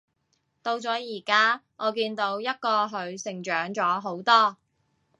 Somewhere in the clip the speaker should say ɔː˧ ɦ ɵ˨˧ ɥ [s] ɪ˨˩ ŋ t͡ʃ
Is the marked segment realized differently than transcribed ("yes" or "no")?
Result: no